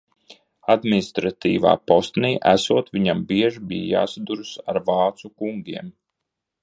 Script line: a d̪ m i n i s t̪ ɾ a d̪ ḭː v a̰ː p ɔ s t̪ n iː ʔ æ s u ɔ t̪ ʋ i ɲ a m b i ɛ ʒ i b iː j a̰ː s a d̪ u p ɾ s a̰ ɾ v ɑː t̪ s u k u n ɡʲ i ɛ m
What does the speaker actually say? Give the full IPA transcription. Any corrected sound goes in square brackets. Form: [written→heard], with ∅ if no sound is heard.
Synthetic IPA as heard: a d̪ m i n i s t̪ ɾ a [d̪→t̪] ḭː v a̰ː p ɔ s t̪ n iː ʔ æ s u ɔ t̪ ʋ i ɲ a m b i ɛ ʒ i b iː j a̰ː s a d̪ u [p→∅] ɾ s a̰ ɾ v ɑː t̪ s u k u [n→ŋ] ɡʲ i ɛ m